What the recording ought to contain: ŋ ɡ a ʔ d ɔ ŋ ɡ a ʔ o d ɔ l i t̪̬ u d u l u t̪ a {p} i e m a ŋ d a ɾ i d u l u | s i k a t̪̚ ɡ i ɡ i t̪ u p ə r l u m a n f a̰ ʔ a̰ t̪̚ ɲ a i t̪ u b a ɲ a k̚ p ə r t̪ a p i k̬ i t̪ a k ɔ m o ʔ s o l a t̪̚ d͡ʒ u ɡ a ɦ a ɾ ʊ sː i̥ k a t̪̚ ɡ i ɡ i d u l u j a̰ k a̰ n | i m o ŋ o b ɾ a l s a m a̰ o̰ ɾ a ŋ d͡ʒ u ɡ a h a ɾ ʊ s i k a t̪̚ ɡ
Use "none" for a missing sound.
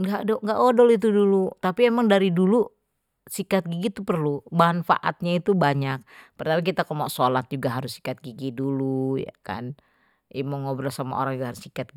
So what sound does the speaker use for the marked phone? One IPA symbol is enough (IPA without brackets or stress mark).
p